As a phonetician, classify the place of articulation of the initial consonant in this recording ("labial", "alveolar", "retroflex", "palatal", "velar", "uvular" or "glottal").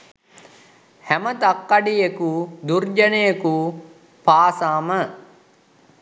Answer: glottal